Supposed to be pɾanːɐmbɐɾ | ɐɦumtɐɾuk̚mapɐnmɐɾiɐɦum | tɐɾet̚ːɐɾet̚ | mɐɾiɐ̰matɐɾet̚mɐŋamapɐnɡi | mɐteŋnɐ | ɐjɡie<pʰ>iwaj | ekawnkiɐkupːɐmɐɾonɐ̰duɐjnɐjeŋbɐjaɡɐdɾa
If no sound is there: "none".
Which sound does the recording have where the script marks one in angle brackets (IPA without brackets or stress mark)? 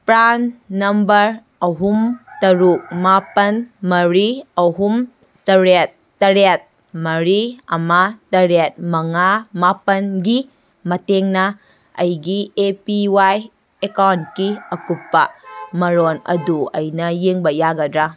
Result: p